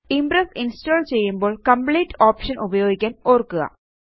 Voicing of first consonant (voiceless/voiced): voiced